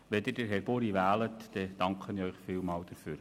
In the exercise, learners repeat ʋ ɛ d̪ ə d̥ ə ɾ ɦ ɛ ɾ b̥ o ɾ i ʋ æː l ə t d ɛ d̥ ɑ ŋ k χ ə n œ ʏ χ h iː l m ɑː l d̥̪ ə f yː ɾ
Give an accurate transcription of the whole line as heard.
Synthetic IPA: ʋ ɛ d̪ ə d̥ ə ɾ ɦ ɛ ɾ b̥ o ɾ i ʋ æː l ə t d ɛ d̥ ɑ ŋ k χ ə n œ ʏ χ f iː l m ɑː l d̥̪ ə f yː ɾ